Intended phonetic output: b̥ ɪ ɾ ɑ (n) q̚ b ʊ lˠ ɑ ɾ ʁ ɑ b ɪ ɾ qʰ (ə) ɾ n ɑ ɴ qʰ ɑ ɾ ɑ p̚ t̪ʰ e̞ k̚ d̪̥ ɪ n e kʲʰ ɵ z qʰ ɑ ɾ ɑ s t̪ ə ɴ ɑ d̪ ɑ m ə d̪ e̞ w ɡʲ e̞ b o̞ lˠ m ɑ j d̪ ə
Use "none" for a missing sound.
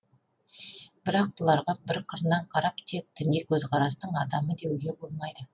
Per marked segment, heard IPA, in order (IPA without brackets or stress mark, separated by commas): none, ə